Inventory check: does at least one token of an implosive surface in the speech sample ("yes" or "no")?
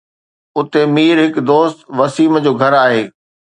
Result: no